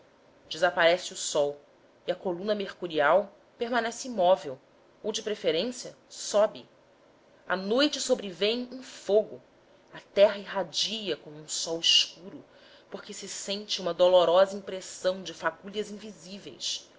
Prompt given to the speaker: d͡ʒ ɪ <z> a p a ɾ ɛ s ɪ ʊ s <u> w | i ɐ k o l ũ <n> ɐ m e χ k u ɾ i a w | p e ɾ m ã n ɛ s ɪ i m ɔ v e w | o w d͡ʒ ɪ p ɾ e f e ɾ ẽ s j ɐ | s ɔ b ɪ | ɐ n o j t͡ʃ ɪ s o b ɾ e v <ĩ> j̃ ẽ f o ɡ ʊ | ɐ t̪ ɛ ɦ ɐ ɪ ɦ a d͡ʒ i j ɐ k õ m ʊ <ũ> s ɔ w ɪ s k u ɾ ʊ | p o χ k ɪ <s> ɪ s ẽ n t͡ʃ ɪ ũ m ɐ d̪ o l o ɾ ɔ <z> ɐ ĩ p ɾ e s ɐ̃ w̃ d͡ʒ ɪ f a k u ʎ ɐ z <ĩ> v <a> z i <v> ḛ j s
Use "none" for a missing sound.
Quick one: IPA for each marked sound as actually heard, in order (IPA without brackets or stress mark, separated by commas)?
z, ɔ, n, ẽ, ũ, s, z, ĩ, i, v